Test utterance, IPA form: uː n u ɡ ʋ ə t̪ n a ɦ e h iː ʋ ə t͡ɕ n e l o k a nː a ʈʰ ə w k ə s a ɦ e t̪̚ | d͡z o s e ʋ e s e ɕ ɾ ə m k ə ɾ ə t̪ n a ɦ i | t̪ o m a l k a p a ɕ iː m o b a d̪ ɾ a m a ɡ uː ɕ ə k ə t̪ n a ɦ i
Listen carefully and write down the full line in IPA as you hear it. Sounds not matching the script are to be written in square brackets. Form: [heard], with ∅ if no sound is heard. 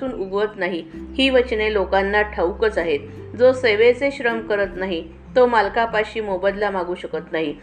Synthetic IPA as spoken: uː n u ɡ ʋ ə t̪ n a ɦ [i] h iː ʋ ə t͡ɕ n e l o k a nː a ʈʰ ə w k ə [t͡s] a ɦ e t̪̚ | d͡z o s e ʋ e [t͡s] e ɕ ɾ ə m k ə ɾ ə t̪ n a ɦ i | t̪ o m a l k a p a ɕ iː m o b [ə] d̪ [l] a m a ɡ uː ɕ ə k ə t̪ n a ɦ i